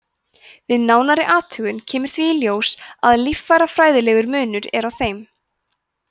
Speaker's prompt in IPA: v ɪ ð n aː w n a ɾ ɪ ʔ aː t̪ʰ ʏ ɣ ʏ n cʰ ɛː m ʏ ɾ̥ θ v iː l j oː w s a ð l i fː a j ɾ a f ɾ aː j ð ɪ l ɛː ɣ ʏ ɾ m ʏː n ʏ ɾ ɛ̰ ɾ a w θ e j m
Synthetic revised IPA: v ɪ ð n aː w n a ɾ ɪ ʔ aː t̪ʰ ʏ ɣ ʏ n cʰ ɛː m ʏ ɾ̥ θ v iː l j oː w s a ð l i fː a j ɾ a f ɾ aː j ð ɪ l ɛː ɣ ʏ ɾ m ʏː n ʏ ɾ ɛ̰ ɾ a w θ e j m